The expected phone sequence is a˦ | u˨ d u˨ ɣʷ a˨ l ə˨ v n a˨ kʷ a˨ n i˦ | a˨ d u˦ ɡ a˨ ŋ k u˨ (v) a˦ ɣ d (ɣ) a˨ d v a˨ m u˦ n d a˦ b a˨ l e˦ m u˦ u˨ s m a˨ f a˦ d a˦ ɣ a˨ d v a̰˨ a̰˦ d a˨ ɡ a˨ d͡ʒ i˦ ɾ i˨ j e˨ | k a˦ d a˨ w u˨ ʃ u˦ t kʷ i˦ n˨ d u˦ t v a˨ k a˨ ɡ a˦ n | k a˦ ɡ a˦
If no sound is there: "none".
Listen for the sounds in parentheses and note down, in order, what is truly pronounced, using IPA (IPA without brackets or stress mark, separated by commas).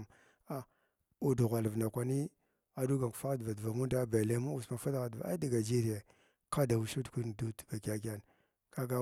f, v